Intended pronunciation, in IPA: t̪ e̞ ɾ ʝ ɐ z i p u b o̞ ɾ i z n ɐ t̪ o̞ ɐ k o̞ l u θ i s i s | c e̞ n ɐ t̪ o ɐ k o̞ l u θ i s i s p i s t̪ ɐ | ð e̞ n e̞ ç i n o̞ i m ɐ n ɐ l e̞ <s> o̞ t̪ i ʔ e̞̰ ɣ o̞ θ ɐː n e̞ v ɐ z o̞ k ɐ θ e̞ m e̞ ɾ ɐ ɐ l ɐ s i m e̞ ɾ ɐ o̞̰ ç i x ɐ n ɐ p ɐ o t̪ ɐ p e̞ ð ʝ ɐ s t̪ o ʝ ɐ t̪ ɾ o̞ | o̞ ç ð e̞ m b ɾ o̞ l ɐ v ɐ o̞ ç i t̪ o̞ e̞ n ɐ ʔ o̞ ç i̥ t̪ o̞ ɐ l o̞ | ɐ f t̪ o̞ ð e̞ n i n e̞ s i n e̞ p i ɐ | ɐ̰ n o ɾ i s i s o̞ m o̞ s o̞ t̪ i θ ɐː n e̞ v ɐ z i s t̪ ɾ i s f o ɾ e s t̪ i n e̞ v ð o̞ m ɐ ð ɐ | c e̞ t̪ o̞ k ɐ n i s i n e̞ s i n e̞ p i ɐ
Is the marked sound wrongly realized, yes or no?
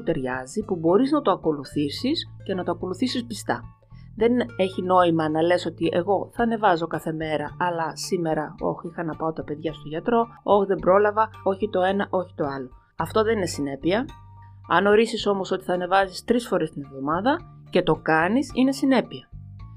no